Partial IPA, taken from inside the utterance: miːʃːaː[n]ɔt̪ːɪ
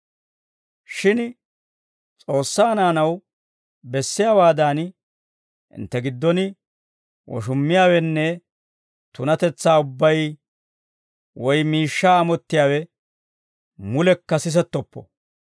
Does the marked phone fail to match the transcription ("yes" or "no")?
yes